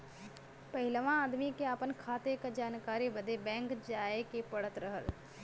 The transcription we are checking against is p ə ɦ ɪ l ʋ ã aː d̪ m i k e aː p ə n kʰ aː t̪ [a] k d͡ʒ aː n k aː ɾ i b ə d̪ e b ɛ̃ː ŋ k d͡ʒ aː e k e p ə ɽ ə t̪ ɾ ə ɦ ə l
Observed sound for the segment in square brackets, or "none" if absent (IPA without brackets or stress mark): e